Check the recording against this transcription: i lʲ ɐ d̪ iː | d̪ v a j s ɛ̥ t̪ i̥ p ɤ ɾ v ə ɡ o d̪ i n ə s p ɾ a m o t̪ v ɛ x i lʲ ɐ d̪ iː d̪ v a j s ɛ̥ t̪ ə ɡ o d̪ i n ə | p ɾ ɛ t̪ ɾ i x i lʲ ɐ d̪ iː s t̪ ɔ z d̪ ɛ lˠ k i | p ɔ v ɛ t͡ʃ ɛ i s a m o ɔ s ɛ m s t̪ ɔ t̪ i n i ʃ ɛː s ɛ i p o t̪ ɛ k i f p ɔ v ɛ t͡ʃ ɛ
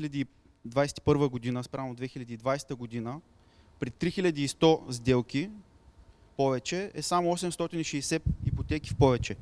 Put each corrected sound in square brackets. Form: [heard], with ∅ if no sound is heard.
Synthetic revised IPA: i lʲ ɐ d̪ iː | d̪ v a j s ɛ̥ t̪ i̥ p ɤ ɾ v ə ɡ o d̪ i n ə s p ɾ a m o [d̪] v ɛ x i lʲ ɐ d̪ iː d̪ v a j s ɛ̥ t̪ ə ɡ o d̪ i n ə | p ɾ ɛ t̪ ɾ i x i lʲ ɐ d̪ iː s t̪ ɔ z d̪ ɛ lˠ k i | p ɔ v ɛ t͡ʃ ɛ [ɛ] s a m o ɔ s ɛ m s t̪ ɔ t̪ i n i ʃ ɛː s ɛ i p o t̪ ɛ k i f p ɔ v ɛ t͡ʃ ɛ